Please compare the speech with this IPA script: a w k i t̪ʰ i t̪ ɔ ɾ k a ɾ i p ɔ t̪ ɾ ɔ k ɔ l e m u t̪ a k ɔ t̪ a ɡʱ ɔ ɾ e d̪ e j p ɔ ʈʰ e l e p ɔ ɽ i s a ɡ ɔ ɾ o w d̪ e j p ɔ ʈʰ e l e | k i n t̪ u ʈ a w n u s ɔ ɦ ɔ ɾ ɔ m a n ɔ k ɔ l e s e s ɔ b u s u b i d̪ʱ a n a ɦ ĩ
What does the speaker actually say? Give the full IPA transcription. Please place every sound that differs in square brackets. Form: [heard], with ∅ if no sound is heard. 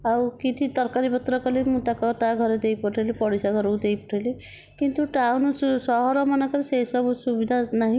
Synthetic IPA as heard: a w k i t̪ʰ i t̪ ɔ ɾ k a ɾ i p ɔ t̪ ɾ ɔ k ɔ l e m u t̪ a k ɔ t̪ a ɡʱ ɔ ɾ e d̪ e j p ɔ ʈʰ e l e p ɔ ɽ i s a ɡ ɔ ɾ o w d̪ e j p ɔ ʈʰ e l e | k i n t̪ u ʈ a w n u s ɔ ɦ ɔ ɾ ɔ m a n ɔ k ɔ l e s e s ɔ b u s u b i d̪ʱ a n a ɦ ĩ